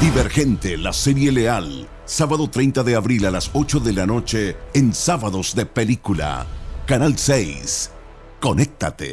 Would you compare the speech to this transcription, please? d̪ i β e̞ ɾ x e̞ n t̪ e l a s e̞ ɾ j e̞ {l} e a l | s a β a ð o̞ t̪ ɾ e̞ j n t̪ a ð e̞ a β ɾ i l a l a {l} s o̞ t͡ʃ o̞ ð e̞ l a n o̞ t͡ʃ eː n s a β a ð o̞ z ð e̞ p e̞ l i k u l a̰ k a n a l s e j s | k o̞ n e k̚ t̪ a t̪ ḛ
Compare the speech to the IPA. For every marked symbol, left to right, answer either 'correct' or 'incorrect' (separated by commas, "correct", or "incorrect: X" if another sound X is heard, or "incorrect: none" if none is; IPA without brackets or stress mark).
correct, incorrect: none